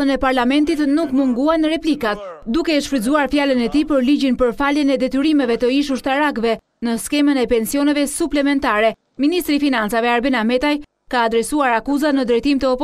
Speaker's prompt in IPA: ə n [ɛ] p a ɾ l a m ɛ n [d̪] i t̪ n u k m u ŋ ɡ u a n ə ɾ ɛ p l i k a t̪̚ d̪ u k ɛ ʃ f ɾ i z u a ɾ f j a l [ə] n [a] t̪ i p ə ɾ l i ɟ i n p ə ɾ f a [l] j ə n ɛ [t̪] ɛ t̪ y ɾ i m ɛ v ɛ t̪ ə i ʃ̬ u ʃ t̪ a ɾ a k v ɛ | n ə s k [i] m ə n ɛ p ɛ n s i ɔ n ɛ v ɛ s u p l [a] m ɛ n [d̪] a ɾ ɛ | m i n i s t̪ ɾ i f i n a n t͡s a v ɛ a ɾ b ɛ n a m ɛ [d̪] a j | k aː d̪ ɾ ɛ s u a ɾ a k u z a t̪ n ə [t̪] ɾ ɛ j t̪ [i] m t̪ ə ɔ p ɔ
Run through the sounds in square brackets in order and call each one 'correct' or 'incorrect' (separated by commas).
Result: correct, incorrect, correct, incorrect, correct, incorrect, incorrect, incorrect, incorrect, incorrect, incorrect, correct